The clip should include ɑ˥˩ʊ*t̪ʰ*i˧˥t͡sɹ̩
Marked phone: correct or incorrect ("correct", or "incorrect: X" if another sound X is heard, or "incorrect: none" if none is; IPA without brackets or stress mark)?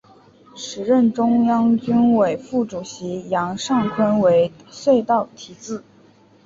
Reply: correct